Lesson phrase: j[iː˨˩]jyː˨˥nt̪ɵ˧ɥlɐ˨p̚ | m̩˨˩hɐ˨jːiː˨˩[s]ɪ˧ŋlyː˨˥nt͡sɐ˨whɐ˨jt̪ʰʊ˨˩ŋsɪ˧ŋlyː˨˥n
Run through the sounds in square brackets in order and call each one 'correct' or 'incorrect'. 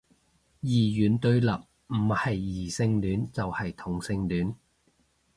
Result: correct, correct

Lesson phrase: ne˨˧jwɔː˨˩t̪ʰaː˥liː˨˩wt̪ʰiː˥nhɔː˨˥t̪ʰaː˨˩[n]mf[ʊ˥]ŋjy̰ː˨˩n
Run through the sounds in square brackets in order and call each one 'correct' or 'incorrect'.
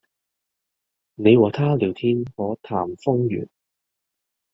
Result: incorrect: none, correct

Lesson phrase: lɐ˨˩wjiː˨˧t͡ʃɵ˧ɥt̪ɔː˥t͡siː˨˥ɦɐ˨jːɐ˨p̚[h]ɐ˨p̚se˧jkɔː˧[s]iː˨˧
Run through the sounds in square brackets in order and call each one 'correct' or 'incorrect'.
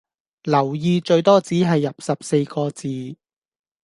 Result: incorrect: s, incorrect: t͡s

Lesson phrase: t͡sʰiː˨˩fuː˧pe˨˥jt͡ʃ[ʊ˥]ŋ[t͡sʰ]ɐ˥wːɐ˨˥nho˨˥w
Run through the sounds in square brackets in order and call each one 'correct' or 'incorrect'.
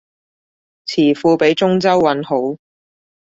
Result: correct, incorrect: t͡s

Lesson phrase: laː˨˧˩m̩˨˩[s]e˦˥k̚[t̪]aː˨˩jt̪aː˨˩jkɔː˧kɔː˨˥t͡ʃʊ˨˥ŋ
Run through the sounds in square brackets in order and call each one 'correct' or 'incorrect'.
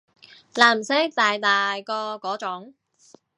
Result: correct, correct

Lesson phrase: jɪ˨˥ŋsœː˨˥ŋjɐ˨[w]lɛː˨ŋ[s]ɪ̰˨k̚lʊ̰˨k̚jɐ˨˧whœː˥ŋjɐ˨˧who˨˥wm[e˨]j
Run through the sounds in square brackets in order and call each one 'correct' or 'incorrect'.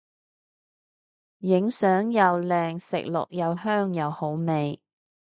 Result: correct, correct, correct

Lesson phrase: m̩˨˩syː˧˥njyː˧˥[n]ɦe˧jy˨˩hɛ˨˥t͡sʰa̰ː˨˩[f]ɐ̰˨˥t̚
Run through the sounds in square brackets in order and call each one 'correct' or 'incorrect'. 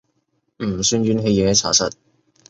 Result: correct, incorrect: s

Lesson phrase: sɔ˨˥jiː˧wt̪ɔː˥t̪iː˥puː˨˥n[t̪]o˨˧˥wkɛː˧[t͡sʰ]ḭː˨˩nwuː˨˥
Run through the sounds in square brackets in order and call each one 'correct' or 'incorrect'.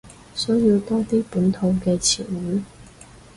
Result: incorrect: t̪ʰ, correct

